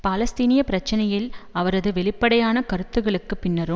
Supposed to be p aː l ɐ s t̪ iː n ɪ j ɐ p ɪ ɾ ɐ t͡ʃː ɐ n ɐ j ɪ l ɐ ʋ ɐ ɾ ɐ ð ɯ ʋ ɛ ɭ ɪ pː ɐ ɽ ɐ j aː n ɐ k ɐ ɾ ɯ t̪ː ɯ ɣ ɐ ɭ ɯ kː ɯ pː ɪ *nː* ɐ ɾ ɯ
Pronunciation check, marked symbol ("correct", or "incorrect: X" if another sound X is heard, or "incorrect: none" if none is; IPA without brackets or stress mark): correct